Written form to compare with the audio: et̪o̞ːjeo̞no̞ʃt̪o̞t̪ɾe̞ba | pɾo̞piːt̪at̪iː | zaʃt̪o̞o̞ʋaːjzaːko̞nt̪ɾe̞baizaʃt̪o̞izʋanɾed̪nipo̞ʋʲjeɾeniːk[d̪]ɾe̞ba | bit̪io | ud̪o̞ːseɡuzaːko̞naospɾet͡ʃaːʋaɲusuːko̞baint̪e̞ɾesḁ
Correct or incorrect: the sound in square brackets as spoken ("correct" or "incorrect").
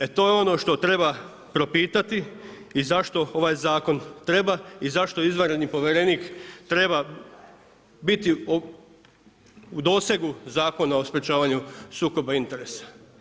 incorrect